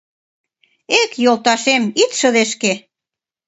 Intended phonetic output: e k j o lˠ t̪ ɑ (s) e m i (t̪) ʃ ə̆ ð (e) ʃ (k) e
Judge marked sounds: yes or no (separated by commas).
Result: no, yes, yes, yes